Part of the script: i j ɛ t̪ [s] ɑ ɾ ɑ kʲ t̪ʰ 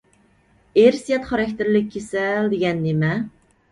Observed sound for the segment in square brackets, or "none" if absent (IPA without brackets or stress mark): χ